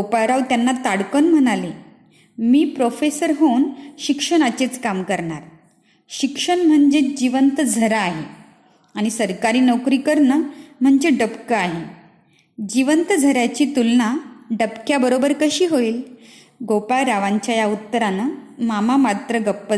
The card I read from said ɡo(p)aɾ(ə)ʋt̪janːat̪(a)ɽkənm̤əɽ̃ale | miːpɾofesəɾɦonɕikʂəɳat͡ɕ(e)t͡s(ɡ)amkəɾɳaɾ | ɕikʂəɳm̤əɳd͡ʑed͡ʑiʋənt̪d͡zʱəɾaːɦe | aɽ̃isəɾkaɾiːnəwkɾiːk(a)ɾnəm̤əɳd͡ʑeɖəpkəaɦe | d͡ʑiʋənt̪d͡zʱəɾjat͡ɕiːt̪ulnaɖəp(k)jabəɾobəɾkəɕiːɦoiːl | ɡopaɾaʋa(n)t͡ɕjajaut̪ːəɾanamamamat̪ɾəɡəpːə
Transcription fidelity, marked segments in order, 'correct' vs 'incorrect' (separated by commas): correct, incorrect, correct, correct, incorrect, incorrect, correct, incorrect